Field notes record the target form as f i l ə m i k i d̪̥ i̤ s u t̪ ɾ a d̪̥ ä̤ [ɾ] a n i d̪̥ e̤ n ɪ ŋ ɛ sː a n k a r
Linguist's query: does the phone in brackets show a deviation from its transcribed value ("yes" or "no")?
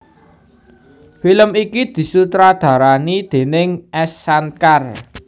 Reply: no